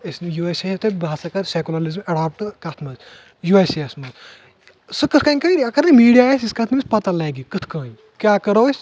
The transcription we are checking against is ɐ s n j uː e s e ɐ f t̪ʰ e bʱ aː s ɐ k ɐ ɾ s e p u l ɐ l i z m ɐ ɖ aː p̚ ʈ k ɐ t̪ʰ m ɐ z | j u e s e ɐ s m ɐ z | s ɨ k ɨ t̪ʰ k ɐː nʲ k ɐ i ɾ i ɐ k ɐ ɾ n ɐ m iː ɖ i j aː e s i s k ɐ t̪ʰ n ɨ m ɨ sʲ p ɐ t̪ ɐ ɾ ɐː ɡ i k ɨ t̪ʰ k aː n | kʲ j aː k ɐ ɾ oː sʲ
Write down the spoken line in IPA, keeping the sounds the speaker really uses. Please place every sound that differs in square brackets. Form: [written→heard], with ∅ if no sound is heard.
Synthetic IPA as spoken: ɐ s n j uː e s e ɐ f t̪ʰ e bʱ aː s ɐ k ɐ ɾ s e [p→k] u l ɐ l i z m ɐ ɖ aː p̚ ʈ k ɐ t̪ʰ m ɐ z | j u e s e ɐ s m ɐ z | s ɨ k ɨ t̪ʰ k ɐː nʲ k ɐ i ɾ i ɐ k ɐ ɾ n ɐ m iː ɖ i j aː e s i s k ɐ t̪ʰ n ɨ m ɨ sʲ p ɐ t̪ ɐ [ɾ→l] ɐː ɡ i k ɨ t̪ʰ k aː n | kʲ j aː k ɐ ɾ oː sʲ